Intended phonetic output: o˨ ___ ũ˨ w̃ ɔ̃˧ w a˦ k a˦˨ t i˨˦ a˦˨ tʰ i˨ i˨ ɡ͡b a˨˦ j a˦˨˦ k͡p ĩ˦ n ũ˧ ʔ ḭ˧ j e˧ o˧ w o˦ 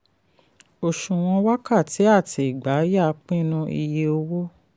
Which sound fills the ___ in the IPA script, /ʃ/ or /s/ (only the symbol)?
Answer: ʃ